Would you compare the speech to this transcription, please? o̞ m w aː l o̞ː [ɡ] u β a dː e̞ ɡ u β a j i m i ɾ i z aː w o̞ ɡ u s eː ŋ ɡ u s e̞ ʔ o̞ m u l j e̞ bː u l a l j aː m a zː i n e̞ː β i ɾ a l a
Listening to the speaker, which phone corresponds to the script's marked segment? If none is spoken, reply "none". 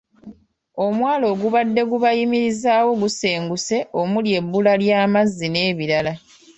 ɡ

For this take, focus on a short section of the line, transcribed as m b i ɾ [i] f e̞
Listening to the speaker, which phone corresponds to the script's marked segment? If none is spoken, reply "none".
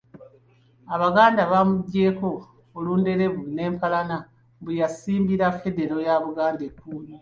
a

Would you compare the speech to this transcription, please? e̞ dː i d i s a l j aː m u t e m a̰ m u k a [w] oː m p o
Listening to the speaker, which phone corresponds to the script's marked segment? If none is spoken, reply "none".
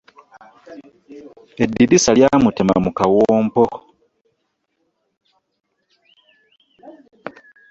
w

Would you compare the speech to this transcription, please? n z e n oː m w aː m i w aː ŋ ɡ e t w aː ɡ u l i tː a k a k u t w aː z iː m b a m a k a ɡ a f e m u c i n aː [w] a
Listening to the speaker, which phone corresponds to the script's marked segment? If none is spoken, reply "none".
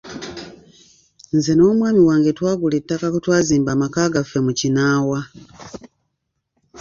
w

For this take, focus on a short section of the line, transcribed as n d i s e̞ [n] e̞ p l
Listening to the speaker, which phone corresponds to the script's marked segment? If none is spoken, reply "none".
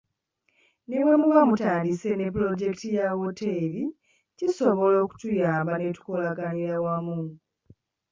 n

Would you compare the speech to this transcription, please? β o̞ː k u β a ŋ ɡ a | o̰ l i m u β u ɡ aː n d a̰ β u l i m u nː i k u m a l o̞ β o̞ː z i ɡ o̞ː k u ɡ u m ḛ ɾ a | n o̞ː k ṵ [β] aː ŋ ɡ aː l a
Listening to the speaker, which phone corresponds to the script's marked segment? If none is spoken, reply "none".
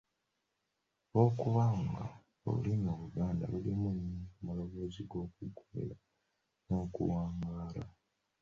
w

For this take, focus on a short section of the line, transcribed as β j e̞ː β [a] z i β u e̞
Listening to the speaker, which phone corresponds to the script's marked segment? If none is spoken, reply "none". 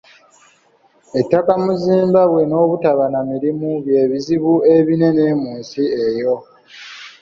i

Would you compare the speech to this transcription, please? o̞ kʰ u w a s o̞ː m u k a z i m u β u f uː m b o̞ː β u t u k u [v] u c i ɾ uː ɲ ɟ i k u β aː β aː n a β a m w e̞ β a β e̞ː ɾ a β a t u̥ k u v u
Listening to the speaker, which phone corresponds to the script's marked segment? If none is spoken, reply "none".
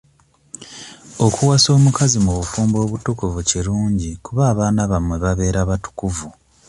v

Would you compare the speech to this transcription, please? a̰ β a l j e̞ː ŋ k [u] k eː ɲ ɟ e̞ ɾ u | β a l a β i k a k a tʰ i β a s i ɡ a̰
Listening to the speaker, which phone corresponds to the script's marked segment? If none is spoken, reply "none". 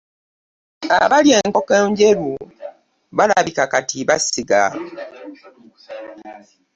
o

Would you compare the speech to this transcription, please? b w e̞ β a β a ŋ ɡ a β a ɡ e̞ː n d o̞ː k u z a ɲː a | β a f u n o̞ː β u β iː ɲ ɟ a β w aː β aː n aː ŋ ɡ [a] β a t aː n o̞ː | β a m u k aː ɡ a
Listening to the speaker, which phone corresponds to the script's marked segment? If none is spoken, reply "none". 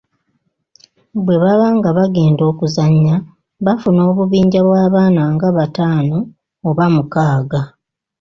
a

